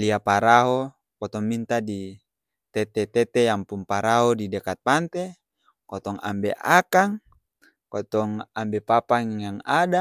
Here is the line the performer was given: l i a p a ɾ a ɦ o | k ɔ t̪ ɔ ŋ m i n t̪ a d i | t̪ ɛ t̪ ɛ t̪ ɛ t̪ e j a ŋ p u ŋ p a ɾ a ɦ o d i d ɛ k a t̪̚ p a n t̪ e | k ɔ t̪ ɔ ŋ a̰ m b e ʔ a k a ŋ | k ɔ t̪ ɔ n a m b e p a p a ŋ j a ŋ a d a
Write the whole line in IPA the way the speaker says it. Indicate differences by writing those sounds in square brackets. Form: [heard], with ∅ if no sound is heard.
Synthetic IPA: l i a p a ɾ a ɦ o | k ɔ t̪ ɔ ŋ m i n t̪ a d i | t̪ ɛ t̪ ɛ t̪ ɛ t̪ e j a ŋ p u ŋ p a ɾ a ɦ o d i d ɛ k a t̪̚ p a n t̪ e | k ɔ t̪ ɔ ŋ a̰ m b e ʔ a k a ŋ | k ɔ t̪ ɔ [ŋ] a m b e p a p a ŋ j a ŋ a d a